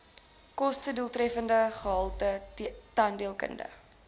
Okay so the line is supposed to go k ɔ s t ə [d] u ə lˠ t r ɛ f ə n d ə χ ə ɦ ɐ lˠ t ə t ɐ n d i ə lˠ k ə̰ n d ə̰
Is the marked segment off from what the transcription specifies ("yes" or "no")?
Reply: no